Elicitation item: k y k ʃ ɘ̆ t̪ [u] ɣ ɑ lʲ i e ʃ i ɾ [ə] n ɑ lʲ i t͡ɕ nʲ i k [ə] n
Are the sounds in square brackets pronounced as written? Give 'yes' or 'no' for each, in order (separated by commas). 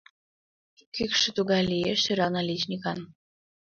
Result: yes, no, no